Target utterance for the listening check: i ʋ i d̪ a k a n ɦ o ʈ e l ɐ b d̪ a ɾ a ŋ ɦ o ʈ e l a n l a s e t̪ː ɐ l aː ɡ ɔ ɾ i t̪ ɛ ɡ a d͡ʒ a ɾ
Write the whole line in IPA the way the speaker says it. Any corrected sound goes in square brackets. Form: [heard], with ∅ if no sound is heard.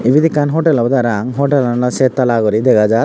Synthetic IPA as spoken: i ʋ i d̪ [i] k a n ɦ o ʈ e l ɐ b d̪ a ɾ a ŋ ɦ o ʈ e l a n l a s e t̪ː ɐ l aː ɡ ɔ ɾ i [d̪] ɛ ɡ a d͡ʒ a ɾ